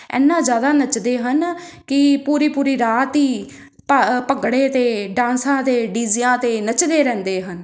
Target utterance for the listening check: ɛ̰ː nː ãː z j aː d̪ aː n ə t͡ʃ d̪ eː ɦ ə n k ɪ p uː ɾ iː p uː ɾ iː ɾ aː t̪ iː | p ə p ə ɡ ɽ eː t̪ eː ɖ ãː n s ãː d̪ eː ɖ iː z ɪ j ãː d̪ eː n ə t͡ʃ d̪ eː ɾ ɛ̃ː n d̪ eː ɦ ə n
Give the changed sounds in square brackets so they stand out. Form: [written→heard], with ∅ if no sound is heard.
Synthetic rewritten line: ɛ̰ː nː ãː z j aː d̪ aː n ə t͡ʃ d̪ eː ɦ ə n k ɪ p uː ɾ iː p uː ɾ iː ɾ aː t̪ iː | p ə p ə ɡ ɽ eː t̪ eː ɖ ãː n s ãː [d̪→t̪] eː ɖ iː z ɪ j ãː [d̪→t̪] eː n ə t͡ʃ d̪ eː ɾ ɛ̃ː n d̪ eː ɦ ə n

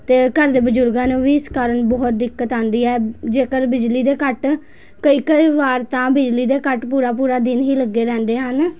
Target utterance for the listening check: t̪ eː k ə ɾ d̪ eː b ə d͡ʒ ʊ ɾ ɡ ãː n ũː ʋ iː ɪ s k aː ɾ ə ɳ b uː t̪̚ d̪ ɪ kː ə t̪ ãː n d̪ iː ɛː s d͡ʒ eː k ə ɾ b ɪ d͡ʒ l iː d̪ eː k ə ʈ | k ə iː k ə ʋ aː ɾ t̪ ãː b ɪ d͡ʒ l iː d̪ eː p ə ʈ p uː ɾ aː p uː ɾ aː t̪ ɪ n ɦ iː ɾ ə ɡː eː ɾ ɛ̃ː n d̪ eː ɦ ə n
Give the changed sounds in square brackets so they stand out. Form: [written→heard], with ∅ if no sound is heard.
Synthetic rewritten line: t̪ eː k ə ɾ d̪ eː b ə d͡ʒ ʊ ɾ ɡ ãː n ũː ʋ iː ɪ s k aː ɾ ə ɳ b [uː→ɔː] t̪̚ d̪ ɪ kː ə t̪ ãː n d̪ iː ɛː [s→∅] d͡ʒ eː k ə ɾ b ɪ d͡ʒ l iː d̪ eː k ə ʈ | k ə iː k ə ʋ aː ɾ t̪ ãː b ɪ d͡ʒ l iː d̪ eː [p→k] ə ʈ p uː ɾ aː p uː ɾ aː [t̪→d̪] ɪ n ɦ iː [ɾ→l] ə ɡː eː ɾ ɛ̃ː n d̪ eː ɦ ə n

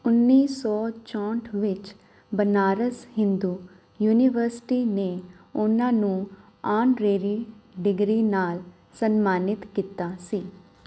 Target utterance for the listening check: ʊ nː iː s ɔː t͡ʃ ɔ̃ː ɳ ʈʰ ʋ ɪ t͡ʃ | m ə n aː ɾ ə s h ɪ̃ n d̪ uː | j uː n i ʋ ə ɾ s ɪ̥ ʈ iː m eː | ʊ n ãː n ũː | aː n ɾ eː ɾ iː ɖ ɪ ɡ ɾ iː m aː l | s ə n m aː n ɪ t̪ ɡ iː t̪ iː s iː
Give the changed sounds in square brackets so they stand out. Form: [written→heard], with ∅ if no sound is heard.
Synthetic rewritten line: ʊ nː iː s ɔː t͡ʃ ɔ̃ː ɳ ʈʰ ʋ ɪ t͡ʃ | [m→b] ə n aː ɾ ə s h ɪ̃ n d̪ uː | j uː n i ʋ ə ɾ s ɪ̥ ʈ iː [m→n] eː | ʊ n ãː n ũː | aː n ɾ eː ɾ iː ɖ ɪ ɡ ɾ iː [m→n] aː l | s ə n m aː n ɪ t̪ [ɡ→k] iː t̪ [iː→aː] s iː

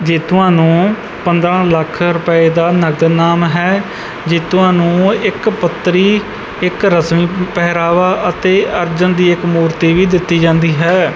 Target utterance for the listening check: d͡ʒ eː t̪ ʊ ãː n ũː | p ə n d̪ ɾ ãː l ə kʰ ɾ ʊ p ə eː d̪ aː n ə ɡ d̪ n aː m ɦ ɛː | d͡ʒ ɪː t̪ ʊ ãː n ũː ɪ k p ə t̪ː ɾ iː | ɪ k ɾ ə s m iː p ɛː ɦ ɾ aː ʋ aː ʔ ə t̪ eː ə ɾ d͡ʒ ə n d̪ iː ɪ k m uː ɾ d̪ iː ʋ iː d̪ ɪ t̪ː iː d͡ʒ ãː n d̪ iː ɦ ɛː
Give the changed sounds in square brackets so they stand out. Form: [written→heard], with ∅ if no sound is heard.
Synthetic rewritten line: d͡ʒ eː t̪ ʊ ãː n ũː | p ə n d̪ ɾ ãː l ə kʰ ɾ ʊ p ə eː d̪ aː n ə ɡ d̪ n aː m ɦ ɛː | d͡ʒ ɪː t̪ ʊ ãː n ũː ɪ k p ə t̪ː ɾ iː | ɪ k ɾ ə s m iː p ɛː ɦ ɾ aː ʋ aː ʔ ə t̪ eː ə ɾ d͡ʒ ə n d̪ iː ɪ k m uː ɾ [d̪→t̪] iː ʋ iː d̪ ɪ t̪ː iː d͡ʒ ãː n d̪ iː ɦ ɛː

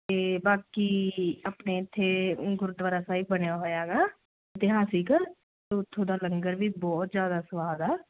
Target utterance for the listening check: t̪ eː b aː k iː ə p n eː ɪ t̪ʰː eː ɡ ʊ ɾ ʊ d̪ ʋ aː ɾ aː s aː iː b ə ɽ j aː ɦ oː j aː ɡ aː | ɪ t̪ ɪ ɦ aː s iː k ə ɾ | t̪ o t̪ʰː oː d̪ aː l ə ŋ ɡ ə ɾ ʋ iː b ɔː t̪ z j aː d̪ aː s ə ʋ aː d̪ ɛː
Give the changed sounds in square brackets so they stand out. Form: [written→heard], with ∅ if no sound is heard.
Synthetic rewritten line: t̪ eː b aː k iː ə p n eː ɪ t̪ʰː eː ɡ ʊ ɾ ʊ d̪ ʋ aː ɾ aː s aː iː b ə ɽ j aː ɦ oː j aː ɡ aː | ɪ t̪ ɪ ɦ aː s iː k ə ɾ | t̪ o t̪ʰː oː d̪ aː l ə ŋ ɡ ə ɾ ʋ iː b ɔː t̪ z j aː d̪ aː s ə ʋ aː d̪ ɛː

